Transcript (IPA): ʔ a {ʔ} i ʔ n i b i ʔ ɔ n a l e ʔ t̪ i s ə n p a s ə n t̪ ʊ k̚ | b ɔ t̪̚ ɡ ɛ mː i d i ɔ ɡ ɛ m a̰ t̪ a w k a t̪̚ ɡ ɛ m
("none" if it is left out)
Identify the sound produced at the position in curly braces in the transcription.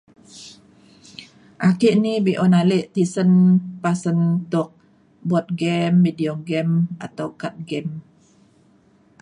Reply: k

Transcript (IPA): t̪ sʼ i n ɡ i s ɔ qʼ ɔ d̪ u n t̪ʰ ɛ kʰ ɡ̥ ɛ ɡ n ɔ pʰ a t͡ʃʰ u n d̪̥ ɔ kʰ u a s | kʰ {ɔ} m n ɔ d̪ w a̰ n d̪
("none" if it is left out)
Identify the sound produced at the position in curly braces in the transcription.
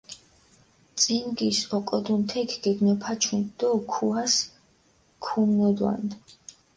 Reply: u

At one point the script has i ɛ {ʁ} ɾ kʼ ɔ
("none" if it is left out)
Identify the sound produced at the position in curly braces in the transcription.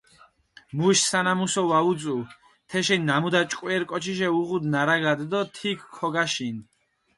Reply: none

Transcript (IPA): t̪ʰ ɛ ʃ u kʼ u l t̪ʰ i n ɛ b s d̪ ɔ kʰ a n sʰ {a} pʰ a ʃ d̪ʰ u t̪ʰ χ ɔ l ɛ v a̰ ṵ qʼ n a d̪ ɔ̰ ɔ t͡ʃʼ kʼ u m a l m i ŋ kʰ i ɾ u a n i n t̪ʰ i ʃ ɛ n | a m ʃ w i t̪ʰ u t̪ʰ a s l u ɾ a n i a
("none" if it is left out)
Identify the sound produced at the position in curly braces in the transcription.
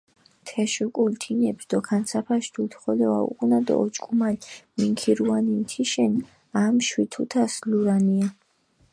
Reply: a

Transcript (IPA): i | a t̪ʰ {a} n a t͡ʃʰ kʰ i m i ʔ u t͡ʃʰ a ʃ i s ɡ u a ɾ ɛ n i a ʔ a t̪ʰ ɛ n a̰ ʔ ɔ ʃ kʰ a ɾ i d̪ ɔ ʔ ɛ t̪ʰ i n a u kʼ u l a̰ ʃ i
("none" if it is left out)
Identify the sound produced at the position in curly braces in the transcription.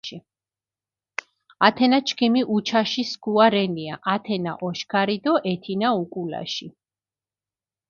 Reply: ɛ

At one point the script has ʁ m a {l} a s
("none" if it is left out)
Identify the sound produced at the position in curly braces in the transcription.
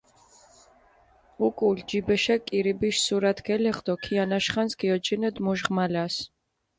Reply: l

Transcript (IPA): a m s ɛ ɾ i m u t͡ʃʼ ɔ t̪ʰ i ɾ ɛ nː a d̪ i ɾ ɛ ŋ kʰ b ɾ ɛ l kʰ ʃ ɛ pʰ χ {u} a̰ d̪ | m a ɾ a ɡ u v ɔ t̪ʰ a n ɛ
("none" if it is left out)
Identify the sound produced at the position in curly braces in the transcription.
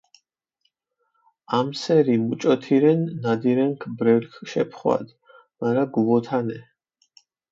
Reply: w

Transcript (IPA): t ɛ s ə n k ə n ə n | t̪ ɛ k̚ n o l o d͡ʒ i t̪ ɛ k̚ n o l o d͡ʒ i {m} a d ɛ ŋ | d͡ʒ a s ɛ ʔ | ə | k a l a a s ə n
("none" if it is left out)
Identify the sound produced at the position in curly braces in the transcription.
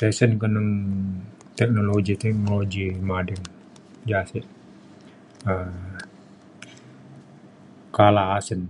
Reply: m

